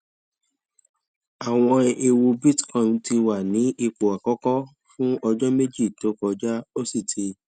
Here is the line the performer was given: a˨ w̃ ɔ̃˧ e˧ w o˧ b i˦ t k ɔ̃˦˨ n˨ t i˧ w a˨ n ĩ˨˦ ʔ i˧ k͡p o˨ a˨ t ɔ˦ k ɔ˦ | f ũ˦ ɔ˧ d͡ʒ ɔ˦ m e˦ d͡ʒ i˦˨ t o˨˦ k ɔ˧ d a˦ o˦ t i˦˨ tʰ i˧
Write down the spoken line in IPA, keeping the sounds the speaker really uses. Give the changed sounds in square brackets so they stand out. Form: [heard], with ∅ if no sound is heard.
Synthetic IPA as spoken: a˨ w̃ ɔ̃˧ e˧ w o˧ b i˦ t k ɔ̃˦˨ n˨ t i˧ w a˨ n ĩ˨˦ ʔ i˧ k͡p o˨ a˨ [k] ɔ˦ k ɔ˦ | f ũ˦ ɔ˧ d͡ʒ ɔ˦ m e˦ d͡ʒ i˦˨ t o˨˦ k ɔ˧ [d͡ʒ] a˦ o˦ [s] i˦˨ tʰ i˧

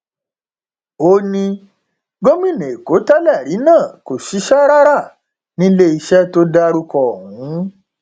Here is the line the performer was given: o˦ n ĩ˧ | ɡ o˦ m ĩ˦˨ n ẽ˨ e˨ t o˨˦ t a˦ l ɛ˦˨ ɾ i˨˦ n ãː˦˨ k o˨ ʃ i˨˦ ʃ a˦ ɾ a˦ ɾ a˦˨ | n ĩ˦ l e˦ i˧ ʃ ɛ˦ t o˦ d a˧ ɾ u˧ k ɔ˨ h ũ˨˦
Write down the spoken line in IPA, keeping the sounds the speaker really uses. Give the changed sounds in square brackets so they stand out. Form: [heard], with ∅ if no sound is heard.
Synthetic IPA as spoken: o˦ n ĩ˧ | ɡ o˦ m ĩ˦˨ n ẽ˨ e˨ [k] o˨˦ t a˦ l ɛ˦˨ ɾ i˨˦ n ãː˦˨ k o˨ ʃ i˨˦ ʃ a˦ ɾ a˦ ɾ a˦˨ | n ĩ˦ l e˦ i˧ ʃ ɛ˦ t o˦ d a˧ ɾ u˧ k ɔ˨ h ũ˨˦

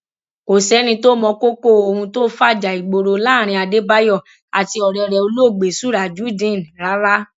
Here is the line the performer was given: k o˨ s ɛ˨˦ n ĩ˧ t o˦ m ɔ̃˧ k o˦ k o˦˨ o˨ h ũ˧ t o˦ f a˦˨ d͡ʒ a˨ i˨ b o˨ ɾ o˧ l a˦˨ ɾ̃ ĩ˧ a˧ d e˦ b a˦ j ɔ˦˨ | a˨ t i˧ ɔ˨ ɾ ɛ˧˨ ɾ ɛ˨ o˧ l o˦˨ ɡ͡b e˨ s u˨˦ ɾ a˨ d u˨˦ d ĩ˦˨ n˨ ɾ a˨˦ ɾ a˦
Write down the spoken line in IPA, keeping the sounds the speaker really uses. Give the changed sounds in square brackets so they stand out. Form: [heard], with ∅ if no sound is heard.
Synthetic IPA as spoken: k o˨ s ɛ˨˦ n ĩ˧ t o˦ m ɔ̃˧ k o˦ k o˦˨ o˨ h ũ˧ t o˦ f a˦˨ d͡ʒ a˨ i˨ [ɡ͡b] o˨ ɾ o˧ l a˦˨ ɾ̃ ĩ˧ a˧ d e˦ b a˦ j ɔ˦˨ | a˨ t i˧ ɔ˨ ɾ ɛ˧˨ ɾ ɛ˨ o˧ l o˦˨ ɡ͡b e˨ s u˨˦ ɾ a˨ [d͡ʒ] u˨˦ d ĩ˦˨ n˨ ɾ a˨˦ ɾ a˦

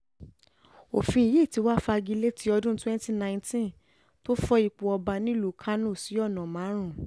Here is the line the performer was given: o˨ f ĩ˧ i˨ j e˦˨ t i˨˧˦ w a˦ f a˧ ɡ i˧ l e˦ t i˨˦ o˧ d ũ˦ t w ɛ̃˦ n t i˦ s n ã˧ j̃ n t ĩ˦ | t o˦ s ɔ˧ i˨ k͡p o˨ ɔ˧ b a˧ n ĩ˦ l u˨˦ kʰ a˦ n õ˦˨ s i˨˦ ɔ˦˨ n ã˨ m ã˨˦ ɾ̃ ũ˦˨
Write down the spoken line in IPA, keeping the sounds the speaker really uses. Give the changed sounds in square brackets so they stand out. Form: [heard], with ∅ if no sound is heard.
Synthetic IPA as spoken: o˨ f ĩ˧ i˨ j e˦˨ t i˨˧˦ w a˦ f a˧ ɡ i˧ l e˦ t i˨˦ [ɔ˧] d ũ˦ t w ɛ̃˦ n t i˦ [∅] n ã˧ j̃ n t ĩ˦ | t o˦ [f] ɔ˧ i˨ k͡p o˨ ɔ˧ b a˧ n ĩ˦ l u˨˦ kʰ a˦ n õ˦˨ s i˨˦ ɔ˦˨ n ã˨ m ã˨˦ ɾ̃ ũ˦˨

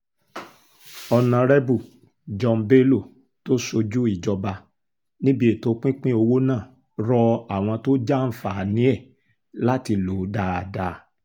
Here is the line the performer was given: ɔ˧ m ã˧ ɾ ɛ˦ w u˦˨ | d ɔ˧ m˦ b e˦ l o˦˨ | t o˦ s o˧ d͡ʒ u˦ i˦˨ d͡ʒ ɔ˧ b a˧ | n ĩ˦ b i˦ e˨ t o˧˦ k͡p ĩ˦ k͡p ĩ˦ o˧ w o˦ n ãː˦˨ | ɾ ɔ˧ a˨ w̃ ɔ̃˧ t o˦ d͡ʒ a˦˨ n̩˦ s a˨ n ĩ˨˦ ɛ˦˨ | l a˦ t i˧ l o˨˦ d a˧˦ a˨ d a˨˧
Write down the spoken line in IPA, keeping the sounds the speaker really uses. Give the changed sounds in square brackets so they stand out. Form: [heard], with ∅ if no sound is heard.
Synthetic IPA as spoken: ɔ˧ [n] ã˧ ɾ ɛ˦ [b] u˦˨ | [d͡ʒ] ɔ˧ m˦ b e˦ l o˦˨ | t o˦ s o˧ d͡ʒ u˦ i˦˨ d͡ʒ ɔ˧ b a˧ | n ĩ˦ b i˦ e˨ t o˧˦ k͡p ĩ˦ k͡p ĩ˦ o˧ w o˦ n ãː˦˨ | ɾ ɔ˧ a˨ w̃ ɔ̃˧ t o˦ d͡ʒ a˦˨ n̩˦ [f] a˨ n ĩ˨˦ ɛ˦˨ | l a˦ t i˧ l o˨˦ d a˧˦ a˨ d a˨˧

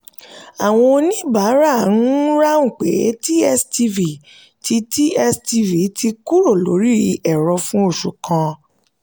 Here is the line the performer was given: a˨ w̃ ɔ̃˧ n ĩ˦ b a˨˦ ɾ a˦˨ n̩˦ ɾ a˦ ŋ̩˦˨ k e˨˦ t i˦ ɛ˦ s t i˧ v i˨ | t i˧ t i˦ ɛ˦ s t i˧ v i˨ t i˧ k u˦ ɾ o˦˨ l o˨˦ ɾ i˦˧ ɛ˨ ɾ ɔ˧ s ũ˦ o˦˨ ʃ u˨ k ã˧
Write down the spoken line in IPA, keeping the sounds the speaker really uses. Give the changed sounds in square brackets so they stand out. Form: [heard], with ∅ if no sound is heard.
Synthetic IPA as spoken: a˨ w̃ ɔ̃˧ n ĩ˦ b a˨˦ ɾ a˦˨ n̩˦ ɾ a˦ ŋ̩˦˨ [k͡p] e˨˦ t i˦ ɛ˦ s t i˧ v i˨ | t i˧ t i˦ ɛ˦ s t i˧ v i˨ t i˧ k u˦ ɾ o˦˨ l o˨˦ ɾ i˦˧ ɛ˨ ɾ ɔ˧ [f] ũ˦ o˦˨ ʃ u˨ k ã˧

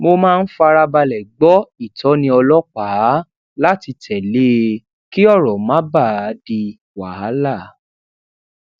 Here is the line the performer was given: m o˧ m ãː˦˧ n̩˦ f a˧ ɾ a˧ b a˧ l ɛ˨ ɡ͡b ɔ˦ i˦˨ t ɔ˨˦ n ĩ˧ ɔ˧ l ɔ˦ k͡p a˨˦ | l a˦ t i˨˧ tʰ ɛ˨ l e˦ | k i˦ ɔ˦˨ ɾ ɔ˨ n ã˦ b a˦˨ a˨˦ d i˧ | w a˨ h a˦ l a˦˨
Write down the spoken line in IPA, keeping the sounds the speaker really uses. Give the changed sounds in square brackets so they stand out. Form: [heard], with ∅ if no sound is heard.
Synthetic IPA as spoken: m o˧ m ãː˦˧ n̩˦ f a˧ ɾ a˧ b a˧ l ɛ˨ ɡ͡b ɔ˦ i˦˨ t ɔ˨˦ n ĩ˧ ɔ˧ l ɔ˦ k͡p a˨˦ | l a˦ t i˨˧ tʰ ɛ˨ l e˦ | k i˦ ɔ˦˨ ɾ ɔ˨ [m] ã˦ b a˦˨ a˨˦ d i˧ | w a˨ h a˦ l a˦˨

